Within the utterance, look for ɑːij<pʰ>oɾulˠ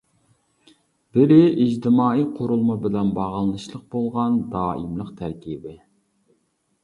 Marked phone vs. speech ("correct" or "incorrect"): incorrect